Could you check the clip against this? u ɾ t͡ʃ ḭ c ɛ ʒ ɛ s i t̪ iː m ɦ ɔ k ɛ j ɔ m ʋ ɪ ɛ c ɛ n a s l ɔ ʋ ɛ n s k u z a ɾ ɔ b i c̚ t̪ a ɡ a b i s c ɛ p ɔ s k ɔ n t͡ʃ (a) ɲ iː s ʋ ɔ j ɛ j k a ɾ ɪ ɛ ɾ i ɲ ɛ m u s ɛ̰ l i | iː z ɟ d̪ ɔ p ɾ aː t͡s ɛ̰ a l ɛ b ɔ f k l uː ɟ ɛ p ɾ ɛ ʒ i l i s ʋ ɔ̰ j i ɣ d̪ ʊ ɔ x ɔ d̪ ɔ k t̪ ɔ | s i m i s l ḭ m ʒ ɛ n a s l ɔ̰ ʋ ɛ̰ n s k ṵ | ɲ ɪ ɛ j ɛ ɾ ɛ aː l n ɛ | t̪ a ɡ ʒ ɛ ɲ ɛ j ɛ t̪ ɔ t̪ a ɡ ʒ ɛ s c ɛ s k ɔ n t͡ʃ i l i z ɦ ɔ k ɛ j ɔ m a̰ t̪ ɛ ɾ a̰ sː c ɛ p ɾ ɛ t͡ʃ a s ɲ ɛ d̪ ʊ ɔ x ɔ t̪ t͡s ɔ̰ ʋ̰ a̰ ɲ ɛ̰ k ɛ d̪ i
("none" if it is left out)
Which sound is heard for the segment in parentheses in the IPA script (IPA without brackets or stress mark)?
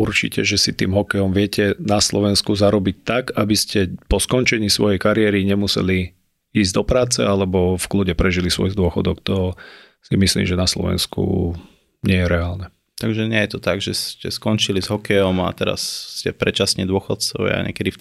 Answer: ɛ